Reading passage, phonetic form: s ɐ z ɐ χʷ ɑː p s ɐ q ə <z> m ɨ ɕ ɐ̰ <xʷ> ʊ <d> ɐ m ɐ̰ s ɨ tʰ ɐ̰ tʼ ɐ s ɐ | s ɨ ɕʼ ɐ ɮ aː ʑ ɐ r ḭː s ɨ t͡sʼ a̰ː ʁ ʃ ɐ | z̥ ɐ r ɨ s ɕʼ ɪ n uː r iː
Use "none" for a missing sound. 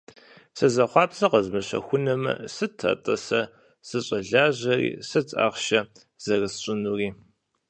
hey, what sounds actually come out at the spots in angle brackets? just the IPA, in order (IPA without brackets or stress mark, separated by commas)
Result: z, xʷ, n